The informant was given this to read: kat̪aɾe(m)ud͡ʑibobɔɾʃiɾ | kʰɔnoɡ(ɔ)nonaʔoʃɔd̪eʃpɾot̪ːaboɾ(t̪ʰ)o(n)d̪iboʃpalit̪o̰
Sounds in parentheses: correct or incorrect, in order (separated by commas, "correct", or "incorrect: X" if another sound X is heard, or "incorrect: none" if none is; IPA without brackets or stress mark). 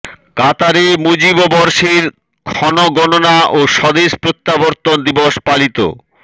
correct, correct, incorrect: t̪, correct